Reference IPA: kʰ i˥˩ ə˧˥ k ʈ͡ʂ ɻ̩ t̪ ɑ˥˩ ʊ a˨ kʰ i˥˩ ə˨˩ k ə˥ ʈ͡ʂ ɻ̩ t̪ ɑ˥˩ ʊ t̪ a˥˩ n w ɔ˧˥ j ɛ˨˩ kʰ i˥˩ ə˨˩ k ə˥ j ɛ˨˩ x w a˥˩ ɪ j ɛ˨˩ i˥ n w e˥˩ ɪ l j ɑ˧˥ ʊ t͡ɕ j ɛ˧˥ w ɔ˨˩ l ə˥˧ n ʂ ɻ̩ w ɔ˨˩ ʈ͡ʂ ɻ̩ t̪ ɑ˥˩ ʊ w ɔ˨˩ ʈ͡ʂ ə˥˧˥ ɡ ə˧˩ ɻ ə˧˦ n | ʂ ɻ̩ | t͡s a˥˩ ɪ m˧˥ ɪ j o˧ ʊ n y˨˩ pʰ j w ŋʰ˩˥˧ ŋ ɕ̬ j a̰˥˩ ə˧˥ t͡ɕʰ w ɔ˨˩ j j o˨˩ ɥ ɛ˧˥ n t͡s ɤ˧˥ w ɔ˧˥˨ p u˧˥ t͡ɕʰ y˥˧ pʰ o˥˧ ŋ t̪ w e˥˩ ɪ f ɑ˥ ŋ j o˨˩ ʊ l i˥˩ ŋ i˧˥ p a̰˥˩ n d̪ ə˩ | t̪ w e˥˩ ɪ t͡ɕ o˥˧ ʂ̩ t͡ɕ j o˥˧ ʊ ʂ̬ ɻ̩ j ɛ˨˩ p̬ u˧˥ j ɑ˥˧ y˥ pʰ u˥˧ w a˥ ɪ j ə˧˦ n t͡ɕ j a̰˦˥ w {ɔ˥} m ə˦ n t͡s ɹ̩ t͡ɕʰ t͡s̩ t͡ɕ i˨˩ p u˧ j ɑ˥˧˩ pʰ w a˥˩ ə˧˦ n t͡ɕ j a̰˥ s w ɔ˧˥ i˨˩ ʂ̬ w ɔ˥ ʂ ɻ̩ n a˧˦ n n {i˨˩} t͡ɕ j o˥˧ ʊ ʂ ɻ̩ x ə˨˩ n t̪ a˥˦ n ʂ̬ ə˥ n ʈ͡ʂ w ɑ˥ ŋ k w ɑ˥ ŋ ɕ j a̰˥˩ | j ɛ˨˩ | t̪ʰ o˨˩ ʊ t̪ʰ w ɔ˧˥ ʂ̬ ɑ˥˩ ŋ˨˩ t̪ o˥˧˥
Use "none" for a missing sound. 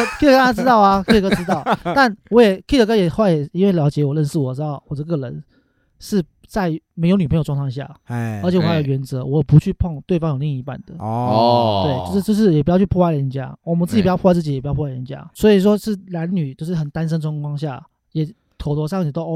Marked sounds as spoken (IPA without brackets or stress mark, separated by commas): ɔ˨˩, y˨˩